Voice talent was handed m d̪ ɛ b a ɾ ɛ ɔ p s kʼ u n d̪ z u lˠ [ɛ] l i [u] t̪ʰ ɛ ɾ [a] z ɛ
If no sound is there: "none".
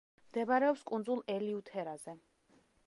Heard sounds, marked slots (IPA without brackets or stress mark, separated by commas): ɛ, u, a